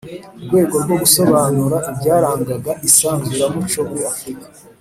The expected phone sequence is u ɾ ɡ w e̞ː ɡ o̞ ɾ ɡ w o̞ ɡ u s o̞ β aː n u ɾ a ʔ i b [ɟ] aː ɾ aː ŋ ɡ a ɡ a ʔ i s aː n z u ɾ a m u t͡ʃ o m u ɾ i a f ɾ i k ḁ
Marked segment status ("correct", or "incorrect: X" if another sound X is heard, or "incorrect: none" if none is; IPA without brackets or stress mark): correct